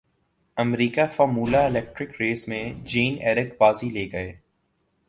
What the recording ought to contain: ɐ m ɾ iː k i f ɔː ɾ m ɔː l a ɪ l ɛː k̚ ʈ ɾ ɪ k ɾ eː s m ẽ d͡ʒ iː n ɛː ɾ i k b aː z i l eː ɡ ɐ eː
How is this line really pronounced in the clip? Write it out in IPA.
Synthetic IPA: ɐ m ɾ iː k a f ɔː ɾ m uː l a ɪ l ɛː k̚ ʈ ɾ ɪ k ɾ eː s m ẽ d͡ʒ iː n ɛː ɾ ɪ k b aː z i l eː ɡ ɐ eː